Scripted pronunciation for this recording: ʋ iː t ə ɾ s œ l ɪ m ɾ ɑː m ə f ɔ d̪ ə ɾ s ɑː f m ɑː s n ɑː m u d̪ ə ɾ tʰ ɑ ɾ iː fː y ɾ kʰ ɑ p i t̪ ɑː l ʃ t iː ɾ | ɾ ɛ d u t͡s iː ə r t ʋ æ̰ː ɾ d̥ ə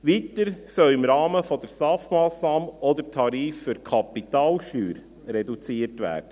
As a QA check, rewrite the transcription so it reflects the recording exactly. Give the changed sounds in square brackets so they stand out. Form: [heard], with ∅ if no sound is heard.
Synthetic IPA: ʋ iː t ə ɾ s œ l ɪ m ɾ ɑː m ə f ɔ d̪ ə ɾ s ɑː f m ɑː s n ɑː m [ɔ] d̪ ə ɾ tʰ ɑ ɾ iː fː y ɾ kʰ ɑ p i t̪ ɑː l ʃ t [yː] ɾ | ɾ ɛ d u t͡s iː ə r t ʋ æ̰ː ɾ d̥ ə